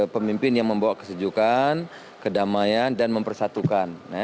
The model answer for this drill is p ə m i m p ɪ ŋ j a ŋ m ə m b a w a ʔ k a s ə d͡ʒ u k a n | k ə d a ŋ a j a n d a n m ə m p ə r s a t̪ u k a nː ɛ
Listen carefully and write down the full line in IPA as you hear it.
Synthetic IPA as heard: p ə m i m p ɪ n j a ŋ m ə m b a w a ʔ k ə s ə d͡ʒ u k a n | k ə d a m a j a n d a n m ə m p ə r s a t̪ u k a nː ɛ